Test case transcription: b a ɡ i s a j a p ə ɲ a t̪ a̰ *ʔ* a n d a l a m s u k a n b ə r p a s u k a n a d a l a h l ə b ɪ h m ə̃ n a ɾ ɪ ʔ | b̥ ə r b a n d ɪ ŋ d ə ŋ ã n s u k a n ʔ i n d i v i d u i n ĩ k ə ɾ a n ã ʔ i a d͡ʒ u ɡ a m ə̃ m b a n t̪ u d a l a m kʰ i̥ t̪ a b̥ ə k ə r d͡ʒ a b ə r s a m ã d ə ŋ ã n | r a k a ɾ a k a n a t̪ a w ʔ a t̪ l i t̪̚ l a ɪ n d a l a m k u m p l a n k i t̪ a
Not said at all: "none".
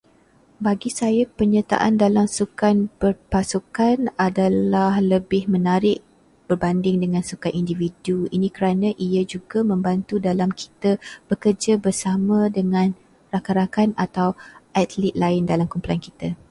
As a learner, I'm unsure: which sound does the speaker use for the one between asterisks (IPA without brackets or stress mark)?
ʔ